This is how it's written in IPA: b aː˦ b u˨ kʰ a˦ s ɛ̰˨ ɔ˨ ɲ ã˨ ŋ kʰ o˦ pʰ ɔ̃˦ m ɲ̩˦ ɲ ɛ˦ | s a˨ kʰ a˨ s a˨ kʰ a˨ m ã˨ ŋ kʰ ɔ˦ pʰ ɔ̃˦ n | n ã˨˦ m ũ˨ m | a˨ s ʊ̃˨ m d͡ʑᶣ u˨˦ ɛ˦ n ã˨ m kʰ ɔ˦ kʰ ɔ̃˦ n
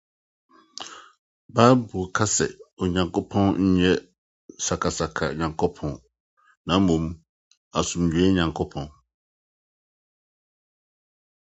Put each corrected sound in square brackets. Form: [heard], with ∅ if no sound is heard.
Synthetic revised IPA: b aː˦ b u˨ kʰ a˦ s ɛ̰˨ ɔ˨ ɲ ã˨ ŋ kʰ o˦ pʰ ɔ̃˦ [n] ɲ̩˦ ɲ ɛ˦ | s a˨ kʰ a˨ s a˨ kʰ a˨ [ɲ] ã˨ ŋ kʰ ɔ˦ pʰ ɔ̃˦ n | n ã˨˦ m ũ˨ m | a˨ s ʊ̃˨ m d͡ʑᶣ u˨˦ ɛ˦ [ɲ] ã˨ [ŋ] kʰ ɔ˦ [pʰ] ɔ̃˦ n